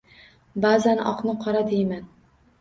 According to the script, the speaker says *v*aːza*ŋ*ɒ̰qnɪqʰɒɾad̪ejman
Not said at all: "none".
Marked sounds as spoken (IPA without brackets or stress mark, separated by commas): b, n